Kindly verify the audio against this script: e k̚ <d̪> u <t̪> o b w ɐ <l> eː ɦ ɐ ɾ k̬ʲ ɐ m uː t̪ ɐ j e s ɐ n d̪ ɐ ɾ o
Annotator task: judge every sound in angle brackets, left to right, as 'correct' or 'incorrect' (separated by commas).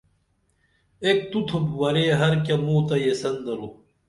incorrect, incorrect, incorrect